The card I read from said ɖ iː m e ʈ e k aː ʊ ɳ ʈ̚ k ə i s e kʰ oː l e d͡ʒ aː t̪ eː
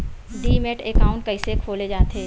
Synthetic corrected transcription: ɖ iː m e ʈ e k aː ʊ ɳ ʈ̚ k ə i s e kʰ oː l e d͡ʒ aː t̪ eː